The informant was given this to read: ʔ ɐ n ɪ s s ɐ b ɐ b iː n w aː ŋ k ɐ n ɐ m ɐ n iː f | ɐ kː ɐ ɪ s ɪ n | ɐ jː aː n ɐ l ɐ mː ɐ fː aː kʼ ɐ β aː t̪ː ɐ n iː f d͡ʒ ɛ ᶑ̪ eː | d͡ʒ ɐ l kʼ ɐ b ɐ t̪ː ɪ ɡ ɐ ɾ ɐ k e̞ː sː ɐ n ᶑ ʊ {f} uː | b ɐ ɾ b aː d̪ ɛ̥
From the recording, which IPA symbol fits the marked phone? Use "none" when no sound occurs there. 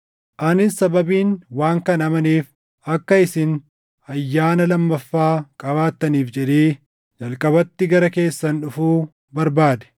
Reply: f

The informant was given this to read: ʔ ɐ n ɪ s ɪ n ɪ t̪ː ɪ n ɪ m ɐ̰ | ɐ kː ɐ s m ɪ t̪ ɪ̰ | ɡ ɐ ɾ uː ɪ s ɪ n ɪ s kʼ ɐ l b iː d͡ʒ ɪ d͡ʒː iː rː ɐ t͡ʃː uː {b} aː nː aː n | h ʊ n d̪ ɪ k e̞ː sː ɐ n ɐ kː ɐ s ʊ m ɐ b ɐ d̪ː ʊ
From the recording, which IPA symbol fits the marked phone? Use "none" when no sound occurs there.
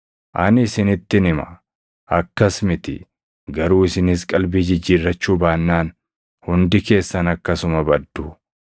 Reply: b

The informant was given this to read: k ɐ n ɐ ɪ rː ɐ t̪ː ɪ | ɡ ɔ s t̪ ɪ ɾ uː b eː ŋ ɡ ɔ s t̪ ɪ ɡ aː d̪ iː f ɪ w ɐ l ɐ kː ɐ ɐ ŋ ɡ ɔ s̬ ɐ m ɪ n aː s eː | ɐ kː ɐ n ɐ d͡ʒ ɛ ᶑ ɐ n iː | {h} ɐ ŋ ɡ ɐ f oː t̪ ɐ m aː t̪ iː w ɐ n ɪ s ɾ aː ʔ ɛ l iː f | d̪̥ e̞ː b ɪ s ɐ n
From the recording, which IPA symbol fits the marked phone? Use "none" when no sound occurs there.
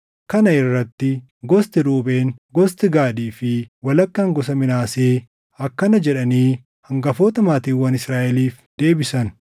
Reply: h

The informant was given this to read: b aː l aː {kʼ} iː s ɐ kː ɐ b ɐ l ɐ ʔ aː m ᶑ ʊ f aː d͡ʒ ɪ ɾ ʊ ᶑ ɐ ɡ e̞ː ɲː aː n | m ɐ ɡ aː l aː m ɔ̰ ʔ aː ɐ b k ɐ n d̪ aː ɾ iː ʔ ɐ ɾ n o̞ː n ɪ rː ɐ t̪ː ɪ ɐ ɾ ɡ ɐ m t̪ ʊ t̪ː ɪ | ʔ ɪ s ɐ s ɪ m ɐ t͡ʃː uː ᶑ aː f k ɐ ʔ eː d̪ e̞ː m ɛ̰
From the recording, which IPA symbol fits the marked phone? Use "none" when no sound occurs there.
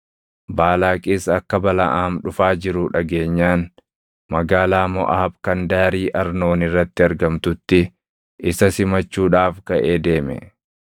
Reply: kʼ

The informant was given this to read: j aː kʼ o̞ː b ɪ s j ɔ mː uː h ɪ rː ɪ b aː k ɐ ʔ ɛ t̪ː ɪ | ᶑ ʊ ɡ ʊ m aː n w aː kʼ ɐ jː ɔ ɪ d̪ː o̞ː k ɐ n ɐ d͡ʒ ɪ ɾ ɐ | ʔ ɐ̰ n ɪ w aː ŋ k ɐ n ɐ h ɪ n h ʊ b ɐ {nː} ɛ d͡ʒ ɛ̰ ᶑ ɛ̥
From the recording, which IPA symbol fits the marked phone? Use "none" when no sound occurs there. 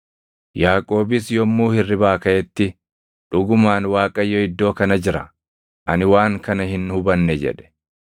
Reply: nː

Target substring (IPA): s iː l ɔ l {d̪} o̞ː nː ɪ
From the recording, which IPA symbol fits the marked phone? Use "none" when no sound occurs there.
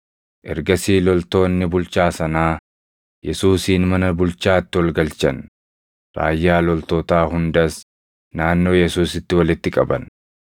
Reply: t̪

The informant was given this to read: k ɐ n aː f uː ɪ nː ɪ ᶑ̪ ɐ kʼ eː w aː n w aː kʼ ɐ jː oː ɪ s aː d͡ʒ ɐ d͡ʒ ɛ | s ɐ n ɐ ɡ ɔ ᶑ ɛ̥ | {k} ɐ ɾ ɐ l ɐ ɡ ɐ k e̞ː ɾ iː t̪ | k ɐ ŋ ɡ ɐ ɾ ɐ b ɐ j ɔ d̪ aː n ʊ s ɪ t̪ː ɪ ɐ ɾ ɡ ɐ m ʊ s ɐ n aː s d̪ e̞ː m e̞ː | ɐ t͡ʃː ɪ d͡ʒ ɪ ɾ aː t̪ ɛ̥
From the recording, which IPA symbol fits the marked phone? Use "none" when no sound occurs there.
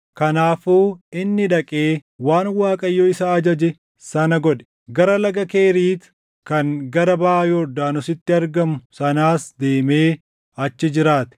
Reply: ɡ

